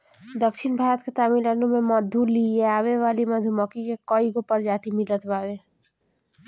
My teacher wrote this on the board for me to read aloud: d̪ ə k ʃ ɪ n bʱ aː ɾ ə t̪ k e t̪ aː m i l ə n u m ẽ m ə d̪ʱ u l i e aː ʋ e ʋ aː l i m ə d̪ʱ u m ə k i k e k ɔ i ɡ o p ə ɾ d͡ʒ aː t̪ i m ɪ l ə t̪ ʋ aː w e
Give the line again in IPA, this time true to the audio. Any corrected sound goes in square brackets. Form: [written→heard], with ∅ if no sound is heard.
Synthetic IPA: d̪ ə k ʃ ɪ n bʱ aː ɾ ə t̪ k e t̪ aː m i l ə n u m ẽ m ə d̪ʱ u l i e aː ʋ e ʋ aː l i m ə d̪ʱ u m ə k i k e k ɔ i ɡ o p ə ɾ d͡ʒ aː t̪ i m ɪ l ə t̪ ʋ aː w e